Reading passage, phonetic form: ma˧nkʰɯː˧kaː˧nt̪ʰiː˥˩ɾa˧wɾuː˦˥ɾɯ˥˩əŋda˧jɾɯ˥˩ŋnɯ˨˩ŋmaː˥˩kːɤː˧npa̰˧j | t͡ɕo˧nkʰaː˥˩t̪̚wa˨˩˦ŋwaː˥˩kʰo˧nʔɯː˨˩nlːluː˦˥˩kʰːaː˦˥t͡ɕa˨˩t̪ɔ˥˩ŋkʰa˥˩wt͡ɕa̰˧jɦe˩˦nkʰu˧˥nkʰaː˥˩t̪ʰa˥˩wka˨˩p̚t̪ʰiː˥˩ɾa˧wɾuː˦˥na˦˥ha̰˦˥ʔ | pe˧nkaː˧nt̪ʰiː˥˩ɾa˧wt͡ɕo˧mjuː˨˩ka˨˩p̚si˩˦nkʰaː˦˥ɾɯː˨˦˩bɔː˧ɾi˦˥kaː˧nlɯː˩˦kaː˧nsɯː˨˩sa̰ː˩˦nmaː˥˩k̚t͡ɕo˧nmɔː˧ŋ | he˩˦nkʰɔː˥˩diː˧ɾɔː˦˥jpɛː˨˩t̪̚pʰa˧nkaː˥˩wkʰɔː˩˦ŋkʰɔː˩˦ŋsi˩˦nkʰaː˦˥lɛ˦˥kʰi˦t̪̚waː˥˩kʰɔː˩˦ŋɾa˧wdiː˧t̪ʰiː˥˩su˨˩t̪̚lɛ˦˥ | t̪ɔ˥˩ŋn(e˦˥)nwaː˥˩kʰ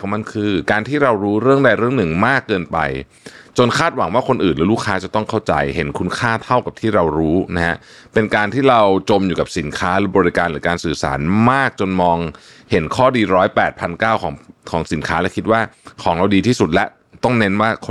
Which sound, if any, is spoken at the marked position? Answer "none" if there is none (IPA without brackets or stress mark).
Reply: e˦˥